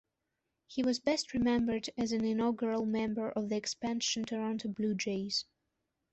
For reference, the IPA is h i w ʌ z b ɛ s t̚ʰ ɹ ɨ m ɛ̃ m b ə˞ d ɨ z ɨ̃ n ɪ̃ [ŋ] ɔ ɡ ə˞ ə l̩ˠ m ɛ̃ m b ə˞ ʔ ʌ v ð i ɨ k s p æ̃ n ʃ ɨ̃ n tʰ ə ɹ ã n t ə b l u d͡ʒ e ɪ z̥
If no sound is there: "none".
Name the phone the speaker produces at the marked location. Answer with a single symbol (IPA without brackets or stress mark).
n